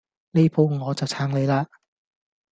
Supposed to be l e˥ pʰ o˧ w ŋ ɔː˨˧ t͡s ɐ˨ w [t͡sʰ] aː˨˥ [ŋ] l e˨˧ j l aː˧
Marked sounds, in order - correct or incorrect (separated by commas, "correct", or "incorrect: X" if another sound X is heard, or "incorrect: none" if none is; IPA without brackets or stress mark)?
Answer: correct, correct